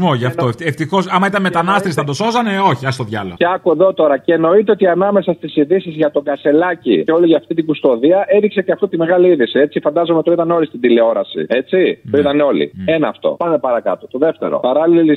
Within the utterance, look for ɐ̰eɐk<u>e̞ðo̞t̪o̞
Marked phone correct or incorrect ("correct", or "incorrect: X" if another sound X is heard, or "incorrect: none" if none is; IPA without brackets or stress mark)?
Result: correct